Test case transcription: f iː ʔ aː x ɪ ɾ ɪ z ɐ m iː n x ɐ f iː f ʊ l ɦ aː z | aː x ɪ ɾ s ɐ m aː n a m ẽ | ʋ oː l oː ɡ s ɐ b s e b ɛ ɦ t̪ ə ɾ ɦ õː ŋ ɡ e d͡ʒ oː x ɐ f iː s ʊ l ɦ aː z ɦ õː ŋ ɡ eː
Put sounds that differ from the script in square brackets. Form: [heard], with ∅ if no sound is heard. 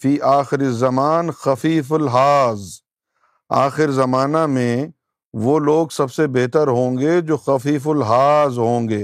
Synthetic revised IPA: f iː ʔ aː x ɪ ɾ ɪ z ɐ m [aː] n x ɐ f iː f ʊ l ɦ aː z | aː x ɪ ɾ [z] ɐ m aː n a m ẽ | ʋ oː l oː ɡ s ɐ b s e b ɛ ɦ t̪ ə ɾ ɦ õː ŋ ɡ e d͡ʒ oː x ɐ f iː [f] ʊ l ɦ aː z ɦ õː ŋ ɡ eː